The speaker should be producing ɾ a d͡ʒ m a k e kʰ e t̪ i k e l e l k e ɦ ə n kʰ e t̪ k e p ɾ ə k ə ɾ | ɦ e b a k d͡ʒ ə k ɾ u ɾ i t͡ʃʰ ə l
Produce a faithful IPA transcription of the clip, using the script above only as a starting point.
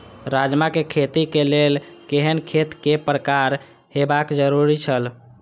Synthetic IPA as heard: ɾ a d͡ʒ m a k e kʰ e t̪ i k e l e l k e ɦ ə n kʰ e t̪ k e p ɾ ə k a ɾ | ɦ e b a k d͡ʒ ə ɾ u ɾ i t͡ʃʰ ə l

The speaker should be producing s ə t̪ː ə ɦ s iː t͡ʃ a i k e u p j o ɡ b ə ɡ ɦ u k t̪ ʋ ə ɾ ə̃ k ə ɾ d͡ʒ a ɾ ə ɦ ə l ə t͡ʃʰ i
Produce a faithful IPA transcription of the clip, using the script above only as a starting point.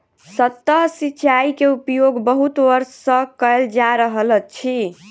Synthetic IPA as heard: s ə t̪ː ə ɦ s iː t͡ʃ a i k e u p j o ɡ b ə ɦ u t̪ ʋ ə ɾ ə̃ k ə l d͡ʒ a ɾ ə ɦ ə l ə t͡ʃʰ i

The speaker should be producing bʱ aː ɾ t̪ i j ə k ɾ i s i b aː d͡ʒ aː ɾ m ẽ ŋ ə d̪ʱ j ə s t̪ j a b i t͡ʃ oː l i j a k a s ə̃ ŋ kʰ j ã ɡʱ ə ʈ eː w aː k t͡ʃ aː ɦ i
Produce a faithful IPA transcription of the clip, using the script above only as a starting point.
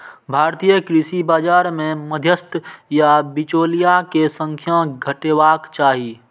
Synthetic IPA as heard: bʱ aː ɾ t̪ i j ə k ɾ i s i b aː d͡ʒ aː ɾ m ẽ m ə d̪ʱ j ə s t̪ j a b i t͡ʃ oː l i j a k e s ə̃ ŋ kʰ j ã ɡʱ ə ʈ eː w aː k t͡ʃ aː ɦ i

